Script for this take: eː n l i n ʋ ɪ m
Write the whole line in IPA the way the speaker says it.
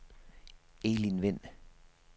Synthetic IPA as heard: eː l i n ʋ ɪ n

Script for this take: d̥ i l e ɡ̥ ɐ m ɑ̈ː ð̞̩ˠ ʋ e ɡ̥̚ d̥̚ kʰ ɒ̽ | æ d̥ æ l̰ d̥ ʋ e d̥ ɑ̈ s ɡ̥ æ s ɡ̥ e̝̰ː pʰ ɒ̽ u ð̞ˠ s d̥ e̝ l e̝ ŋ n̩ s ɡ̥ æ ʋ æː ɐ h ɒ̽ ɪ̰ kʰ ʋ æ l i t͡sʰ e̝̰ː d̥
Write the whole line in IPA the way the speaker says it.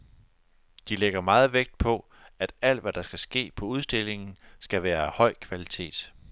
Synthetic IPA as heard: d̥ i l e ɡ̥ ɐ m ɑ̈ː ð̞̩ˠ ʋ e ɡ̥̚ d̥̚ pʰ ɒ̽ | æ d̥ æ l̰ d̥ ʋ æ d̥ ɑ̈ s ɡ̥ æ s ɡ̥ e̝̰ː pʰ ɒ̽ u ð̞ˠ s d̥ e̝ l e̝ ŋ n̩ s ɡ̥ æ ʋ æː ɐ h ɒ̽ ɪ̰ kʰ ʋ æ l i t͡sʰ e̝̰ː d̥

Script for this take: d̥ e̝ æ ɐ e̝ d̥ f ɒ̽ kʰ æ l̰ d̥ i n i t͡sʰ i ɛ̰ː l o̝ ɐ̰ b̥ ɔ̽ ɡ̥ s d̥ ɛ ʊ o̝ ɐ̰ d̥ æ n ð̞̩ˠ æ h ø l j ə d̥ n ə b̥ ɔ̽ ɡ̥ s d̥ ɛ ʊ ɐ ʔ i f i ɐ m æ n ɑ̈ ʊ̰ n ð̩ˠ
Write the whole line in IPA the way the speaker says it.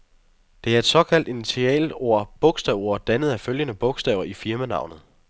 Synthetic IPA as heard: d̥ e̝ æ ɐ e̝ d̥ s ɒ̽ kʰ æ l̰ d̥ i n i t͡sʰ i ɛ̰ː l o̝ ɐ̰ b̥ ɔ̽ ɡ̥ s d̥ ɛ ʊ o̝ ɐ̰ d̥ æ n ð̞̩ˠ æ f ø l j ə n ə b̥ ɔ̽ ɡ̥ s d̥ ɛ ʊ ɐ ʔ i f i ɐ m æ n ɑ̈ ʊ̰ n ð̩ˠ

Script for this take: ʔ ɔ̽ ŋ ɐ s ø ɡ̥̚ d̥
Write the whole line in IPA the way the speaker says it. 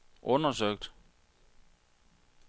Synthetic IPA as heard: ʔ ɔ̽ n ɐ s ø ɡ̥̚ d̥

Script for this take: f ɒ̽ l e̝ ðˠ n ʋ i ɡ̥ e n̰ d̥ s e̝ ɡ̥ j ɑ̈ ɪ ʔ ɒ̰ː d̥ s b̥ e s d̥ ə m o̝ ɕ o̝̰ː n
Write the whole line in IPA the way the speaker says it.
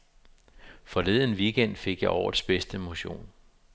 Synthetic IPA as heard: f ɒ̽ l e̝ ðˠ n ʋ i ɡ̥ e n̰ d̥ f e̝ ɡ̥ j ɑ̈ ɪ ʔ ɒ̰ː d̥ s b̥ e s d̥ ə m o̝ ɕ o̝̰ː n

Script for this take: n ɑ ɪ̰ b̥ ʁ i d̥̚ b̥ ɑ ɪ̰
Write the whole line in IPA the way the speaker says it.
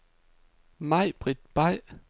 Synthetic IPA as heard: m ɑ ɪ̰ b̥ ʁ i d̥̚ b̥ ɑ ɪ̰

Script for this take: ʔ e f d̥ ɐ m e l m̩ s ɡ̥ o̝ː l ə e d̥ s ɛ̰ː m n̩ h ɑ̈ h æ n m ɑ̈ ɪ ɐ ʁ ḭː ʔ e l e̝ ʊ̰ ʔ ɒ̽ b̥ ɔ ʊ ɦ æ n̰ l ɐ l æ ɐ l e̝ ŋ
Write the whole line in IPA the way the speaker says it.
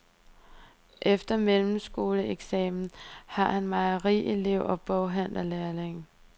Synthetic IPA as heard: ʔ e f d̥ ɐ m e l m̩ s ɡ̥ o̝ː l ə e ɡ̥ s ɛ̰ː m n̩ h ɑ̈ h æ n m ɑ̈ ɪ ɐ ʁ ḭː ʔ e l e̝ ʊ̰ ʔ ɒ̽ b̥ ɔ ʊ ɦ æ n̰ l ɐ l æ ɐ l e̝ ŋ

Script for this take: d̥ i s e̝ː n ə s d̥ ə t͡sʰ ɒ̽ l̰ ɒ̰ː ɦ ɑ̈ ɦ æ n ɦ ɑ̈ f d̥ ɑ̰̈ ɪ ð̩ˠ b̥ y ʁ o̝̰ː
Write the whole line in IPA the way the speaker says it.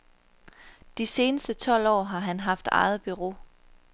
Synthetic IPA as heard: d̥ i s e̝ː n ə s d̥ ə t͡sʰ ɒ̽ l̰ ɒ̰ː ɦ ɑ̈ ɦ æ n ɦ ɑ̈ f d̥ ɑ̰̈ ɪ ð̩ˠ b̥ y ʁ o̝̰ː

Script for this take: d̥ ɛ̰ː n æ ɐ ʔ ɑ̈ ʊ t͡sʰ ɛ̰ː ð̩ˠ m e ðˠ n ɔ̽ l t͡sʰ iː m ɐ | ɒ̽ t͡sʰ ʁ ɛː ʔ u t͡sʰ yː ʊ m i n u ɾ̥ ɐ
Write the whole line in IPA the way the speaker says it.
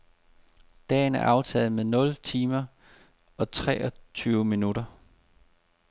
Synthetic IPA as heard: d̥ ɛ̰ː n æ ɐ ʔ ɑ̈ ʊ t͡sʰ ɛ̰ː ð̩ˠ m e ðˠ n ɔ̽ l t͡sʰ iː m ɐ | ɒ̽ t͡sʰ ʁ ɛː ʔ ɒ t͡sʰ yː ʊ m i n u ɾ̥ ɐ

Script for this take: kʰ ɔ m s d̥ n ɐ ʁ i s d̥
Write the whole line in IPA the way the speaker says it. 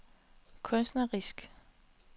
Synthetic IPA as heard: kʰ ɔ n s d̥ n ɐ ʁ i s ɡ̥

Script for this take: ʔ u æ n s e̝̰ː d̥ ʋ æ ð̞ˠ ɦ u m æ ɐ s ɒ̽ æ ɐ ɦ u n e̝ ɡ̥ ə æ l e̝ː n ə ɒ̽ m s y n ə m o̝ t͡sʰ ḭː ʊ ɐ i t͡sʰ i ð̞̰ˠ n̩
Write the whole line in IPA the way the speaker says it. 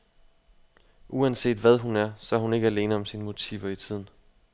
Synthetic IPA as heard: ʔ u æ n s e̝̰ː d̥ ʋ æ ð̞ˠ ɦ u n æ ɐ s ɒ̽ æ ɐ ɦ u n e̝ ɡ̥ ə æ l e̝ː n ə ɒ̽ m s i n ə m o̝ t͡sʰ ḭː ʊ ɐ i t͡sʰ i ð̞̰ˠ n̩

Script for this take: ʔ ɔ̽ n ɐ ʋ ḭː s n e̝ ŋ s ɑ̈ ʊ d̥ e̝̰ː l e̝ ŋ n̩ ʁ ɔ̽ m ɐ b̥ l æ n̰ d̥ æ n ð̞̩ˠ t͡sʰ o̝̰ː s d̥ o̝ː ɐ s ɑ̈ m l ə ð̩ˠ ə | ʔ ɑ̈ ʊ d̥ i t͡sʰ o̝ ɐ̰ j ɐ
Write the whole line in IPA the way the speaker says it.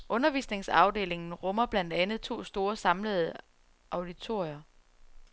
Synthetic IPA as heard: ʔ ɔ̽ n ɐ ʋ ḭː s n e̝ ŋ s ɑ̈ ʊ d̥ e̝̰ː l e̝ ŋ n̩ ʁ ɔ̽ m ɐ b̥ l æ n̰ d̥ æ n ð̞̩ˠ t͡sʰ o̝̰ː s d̥ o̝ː ɐ s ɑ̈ m l ə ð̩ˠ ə | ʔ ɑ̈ ʊ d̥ i t͡sʰ o̝ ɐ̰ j ɐ

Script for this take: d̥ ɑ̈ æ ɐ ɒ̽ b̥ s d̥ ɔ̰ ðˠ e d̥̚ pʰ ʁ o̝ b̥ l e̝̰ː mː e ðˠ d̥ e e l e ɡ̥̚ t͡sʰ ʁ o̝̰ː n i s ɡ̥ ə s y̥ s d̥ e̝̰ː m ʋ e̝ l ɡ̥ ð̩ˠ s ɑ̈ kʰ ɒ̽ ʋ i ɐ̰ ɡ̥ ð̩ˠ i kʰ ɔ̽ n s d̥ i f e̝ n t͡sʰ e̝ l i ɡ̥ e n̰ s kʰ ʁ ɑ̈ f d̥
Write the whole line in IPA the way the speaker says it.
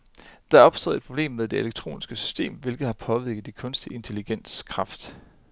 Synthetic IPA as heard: d̥ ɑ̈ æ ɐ ɒ̽ b̥ s d̥ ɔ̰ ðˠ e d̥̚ pʰ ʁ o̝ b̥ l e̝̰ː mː e ðˠ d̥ e e l e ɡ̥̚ t͡sʰ ʁ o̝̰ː n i s ɡ̥ ə s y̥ s d̥ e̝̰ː m ʋ e̝ l ɡ̥ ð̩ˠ h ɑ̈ pʰ ɒ̽ ʋ i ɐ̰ ɡ̥ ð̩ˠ i kʰ ɔ̽ n s d̥ i e̝ n t͡sʰ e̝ l i ɡ̥ e n̰ s kʰ ʁ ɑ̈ f d̥

